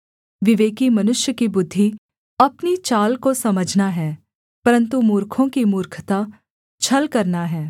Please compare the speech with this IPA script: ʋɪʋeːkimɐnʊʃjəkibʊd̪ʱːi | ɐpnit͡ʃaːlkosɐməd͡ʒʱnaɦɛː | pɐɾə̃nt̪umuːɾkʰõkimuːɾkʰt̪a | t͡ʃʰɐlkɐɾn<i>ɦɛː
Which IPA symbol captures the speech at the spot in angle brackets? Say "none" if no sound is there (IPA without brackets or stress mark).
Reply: a